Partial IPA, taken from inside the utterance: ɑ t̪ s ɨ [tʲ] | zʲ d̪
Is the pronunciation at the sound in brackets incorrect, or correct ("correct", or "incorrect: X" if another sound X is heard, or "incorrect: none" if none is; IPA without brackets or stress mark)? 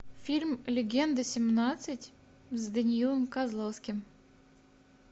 correct